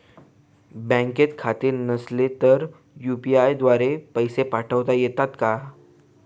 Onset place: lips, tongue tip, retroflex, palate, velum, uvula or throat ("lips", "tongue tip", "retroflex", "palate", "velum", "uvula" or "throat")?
lips